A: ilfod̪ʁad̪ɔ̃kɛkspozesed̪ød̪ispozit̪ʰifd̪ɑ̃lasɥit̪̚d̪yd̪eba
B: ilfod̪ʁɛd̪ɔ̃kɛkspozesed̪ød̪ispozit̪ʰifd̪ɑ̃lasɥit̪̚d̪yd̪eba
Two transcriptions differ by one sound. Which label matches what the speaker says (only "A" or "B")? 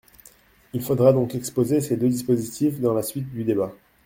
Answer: A